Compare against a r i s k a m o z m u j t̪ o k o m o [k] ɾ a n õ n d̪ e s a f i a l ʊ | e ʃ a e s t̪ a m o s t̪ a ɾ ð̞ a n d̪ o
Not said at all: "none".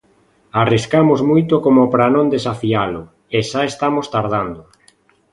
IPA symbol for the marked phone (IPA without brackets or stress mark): p